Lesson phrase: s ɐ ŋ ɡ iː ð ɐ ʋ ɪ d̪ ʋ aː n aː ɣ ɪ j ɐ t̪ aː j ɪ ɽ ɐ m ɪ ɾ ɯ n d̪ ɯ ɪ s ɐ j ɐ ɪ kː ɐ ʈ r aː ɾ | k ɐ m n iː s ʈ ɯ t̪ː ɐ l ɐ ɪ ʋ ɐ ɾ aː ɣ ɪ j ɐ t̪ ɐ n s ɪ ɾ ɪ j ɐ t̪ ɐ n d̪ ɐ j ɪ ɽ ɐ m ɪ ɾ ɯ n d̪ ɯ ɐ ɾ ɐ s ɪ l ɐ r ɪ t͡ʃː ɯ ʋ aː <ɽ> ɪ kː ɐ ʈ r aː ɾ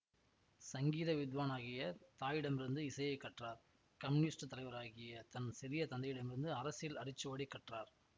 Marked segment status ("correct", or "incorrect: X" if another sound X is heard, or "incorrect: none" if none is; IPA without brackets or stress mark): correct